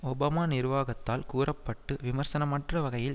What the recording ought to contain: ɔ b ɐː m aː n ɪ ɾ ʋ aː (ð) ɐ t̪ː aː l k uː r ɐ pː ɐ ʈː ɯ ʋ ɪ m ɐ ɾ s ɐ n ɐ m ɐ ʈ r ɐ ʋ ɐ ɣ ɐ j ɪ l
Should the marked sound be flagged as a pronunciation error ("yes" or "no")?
yes